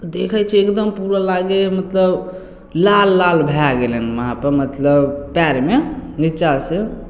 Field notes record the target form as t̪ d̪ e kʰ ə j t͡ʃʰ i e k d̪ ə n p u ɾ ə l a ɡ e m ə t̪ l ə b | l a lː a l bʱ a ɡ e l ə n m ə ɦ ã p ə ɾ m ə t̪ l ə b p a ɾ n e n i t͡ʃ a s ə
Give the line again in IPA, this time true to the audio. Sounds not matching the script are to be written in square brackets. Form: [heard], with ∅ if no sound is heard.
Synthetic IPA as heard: t̪ d̪ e kʰ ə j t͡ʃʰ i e k d̪ ə [m] p u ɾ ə l a ɡ e m ə t̪ l ə b | l a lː a l bʱ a ɡ e l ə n m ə ɦ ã p ə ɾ m ə t̪ l ə b p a ɾ [m] e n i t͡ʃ a s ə